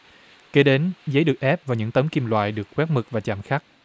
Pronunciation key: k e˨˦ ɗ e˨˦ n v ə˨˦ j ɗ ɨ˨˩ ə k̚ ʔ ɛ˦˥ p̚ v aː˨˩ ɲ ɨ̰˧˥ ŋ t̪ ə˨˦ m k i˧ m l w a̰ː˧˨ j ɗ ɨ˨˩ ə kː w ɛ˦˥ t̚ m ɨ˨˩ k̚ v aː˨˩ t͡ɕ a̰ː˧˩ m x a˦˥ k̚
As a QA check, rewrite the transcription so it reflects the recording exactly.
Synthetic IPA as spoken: k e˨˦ ɗ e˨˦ n z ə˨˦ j ɗ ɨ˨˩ ə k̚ ʔ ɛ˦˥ p̚ v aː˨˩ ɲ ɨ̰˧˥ ŋ t̪ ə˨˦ m k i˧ m l w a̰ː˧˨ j ɗ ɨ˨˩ ə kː w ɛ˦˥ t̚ m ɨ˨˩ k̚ v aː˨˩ t͡ɕ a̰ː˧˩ m x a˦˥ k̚